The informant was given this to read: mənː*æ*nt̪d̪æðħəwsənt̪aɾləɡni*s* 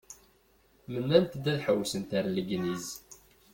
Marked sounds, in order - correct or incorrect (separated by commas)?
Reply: correct, incorrect